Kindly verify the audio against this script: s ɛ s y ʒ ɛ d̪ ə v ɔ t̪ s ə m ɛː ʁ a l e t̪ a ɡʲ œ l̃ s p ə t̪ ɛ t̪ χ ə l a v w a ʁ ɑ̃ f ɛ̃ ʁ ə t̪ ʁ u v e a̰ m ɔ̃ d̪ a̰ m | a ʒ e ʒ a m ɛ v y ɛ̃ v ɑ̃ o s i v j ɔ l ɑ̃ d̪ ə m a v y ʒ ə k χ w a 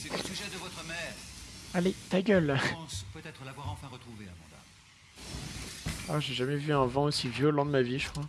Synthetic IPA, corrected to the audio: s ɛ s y ʒ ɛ d̪ ə v ɔ t̪ χ ə m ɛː ʁ a l e t̪ a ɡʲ œ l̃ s p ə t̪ ɛ t̪ χ ə l a v w a ʁ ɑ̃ f ɛ̃ ʁ ə t̪ χ u v e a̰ m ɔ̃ d̪ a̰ m | a ʒ e ʒ a m ɛ v y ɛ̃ v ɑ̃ o s i v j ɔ l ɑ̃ d̪ ə m a v i ʒ ə k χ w a